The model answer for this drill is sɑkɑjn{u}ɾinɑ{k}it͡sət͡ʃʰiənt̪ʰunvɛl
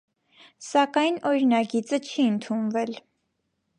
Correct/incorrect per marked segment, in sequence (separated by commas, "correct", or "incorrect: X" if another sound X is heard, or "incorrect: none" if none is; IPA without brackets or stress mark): incorrect: ɔ, incorrect: ɡ